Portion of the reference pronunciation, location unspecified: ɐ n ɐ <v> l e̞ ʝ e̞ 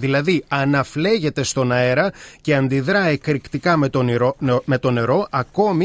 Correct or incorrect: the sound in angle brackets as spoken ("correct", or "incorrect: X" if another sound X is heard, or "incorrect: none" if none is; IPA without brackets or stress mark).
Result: incorrect: f